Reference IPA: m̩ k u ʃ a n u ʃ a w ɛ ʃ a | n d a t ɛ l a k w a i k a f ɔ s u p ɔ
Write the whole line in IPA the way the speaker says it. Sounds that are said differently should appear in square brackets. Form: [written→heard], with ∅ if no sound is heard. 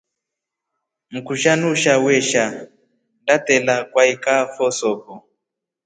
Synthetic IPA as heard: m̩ k u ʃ a n u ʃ a w ɛ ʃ a | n d a t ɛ l a k w a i k a f ɔ s [u→ɔ] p ɔ